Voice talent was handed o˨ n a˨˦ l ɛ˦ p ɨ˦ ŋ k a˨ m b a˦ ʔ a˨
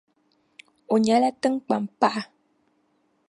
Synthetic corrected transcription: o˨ ɲ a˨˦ l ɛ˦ t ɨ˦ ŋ k͡p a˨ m p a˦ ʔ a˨